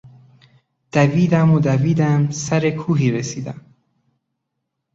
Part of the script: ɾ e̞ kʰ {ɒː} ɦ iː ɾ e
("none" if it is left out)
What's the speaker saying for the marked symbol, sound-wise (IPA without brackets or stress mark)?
uː